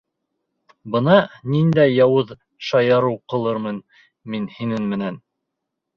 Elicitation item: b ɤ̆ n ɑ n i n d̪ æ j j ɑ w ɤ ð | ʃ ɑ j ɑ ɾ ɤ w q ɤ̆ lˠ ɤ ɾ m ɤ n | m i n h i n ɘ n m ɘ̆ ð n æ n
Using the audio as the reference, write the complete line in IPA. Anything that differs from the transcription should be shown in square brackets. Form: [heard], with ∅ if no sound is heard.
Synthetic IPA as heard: b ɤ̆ n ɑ n i n d̪ æ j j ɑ w ɤ ð | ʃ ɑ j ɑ ɾ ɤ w q ɤ̆ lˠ ɤ ɾ m ɤ n | m i n h i n ɘ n m ɘ̆ [∅] n æ n